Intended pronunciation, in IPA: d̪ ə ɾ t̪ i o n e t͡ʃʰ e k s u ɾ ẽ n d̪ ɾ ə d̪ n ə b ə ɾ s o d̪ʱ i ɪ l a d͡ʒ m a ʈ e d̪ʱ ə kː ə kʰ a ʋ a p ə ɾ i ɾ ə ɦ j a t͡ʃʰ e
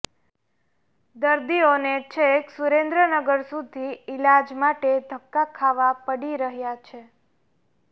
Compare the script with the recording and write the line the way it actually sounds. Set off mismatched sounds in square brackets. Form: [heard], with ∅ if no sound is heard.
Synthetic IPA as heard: d̪ ə ɾ [d̪] i o n e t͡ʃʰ e k s u ɾ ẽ n d̪ ɾ ə [∅] n ə [ɡ] ə ɾ s [u] d̪ʱ i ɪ l a d͡ʒ m a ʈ e d̪ʱ ə kː [a] kʰ a ʋ a p ə [ɽ] i ɾ ə ɦ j a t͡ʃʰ e